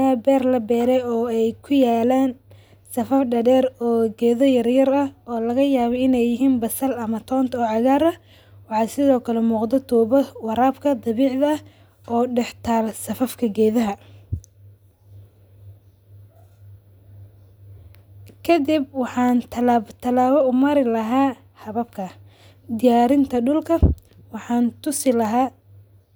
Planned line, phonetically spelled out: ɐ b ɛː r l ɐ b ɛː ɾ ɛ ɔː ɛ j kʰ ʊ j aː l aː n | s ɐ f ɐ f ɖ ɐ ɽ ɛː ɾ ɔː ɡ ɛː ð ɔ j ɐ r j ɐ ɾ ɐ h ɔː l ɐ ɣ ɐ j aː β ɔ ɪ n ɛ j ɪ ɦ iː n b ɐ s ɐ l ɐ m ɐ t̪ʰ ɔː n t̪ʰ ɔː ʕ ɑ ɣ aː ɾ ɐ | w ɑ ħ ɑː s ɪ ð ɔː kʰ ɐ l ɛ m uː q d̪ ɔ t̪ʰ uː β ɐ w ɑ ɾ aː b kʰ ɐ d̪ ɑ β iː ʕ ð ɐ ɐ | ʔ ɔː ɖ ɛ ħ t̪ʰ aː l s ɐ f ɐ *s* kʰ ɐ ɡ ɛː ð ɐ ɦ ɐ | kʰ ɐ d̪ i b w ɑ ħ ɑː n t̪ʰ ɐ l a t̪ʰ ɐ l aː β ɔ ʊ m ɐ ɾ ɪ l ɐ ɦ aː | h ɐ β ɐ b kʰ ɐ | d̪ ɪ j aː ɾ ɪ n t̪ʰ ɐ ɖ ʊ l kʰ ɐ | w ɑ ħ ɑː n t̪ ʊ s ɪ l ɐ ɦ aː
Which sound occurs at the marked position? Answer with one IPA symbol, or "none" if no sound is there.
f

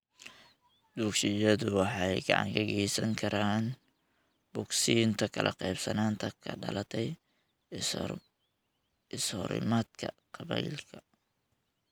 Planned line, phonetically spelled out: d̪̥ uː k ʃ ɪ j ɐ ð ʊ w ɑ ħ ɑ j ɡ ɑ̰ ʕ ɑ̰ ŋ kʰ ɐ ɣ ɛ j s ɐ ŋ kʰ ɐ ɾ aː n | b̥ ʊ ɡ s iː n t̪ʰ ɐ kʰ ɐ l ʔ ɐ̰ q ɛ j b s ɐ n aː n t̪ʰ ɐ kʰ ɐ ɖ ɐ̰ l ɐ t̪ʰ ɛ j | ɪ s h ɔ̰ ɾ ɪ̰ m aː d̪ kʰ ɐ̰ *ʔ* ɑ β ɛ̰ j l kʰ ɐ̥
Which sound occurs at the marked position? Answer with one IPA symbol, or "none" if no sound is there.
q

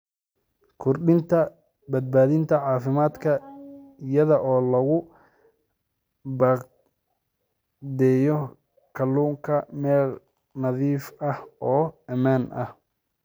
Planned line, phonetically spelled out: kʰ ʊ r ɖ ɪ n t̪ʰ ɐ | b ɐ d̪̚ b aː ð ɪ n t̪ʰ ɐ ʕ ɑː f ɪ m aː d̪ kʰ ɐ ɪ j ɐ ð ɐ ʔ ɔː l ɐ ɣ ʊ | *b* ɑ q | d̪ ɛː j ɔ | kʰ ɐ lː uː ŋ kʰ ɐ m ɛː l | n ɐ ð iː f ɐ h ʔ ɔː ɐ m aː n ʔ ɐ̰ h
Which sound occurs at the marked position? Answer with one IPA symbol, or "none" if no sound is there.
b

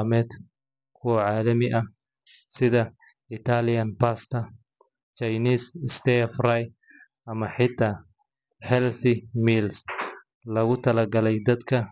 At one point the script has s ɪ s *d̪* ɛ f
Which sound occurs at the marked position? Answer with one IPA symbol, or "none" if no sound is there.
t̪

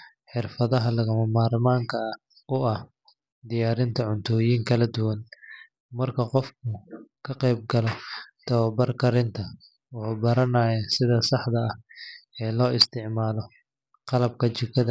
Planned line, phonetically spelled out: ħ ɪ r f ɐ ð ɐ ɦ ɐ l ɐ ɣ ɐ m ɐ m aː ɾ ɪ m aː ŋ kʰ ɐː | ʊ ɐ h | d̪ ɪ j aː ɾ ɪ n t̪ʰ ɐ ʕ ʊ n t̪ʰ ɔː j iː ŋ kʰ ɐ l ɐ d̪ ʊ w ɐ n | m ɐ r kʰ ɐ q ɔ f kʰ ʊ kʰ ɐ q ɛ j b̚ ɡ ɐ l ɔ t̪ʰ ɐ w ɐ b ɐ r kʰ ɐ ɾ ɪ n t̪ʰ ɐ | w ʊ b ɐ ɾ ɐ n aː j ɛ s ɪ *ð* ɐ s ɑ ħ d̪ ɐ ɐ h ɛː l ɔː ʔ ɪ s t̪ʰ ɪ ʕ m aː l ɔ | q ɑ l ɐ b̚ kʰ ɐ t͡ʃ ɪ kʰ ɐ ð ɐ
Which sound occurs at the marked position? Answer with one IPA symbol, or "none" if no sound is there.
ð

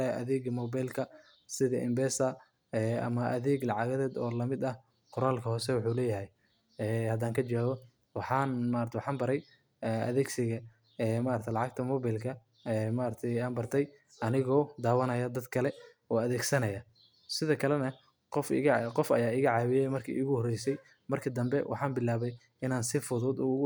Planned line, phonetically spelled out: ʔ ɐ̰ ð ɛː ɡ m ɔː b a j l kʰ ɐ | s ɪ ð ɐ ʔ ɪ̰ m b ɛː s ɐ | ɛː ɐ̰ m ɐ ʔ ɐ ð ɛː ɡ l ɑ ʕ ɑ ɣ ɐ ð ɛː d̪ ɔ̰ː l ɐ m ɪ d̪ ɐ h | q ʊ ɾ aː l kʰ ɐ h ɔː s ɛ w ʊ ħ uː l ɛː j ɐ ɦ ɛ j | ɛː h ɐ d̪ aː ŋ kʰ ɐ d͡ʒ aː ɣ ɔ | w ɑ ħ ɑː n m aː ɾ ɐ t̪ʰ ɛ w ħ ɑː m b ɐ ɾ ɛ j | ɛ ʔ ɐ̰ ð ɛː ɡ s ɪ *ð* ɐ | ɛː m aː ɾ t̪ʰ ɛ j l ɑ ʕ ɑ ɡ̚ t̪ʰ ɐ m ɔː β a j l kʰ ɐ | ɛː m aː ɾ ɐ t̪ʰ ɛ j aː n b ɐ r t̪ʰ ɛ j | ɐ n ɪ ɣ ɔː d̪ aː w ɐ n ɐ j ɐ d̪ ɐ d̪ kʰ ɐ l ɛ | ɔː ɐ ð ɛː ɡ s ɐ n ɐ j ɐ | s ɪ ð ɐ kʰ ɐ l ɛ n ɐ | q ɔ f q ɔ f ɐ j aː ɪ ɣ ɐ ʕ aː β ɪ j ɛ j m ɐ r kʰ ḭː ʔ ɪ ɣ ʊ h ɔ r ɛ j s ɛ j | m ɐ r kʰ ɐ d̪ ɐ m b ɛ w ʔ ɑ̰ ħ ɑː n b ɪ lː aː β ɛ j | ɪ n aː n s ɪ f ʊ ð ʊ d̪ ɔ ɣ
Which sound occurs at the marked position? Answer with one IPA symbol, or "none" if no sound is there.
ɣ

